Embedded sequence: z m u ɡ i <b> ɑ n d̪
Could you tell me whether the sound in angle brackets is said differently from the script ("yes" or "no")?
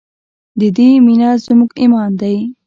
yes